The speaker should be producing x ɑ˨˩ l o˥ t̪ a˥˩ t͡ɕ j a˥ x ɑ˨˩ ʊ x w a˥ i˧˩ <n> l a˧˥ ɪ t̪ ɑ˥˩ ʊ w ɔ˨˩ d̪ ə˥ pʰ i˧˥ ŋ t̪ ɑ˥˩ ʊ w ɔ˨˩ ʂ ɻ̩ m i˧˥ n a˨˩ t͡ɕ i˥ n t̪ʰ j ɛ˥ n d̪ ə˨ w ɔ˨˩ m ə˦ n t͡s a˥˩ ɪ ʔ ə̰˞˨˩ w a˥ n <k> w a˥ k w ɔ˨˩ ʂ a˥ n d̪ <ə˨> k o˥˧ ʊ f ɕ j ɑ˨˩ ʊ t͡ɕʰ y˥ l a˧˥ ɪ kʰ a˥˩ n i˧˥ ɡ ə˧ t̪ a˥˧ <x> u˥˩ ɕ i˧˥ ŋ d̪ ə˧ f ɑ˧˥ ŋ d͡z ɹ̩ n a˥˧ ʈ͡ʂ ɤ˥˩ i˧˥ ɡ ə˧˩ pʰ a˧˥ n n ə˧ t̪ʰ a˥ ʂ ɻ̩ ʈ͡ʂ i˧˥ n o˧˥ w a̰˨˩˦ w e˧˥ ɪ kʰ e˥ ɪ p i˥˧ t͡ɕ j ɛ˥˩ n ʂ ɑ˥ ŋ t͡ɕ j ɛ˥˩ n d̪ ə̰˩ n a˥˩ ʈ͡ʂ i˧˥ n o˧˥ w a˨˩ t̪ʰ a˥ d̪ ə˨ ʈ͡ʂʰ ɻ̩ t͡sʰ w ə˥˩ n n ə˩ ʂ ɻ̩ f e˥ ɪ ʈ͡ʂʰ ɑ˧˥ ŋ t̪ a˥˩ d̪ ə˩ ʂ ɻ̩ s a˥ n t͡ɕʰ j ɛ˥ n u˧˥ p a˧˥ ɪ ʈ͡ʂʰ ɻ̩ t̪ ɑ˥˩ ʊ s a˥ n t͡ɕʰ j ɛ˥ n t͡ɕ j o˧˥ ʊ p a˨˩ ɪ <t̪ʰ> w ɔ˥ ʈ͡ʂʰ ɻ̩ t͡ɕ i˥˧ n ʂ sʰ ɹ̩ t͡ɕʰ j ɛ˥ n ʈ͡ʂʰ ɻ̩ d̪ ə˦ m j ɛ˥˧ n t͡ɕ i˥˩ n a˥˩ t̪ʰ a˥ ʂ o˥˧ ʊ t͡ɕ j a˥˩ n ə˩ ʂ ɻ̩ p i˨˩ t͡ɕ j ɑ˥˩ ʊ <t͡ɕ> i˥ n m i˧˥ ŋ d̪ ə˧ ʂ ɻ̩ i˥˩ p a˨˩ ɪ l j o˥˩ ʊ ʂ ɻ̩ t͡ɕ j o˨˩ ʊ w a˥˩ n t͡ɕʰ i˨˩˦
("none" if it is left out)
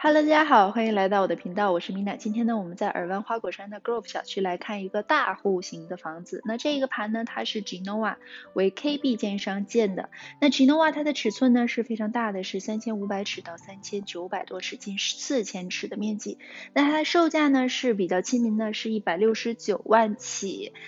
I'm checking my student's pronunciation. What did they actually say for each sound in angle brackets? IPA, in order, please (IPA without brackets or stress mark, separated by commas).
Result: ŋ, x, ə˨, x, t̪, t͡ɕʰ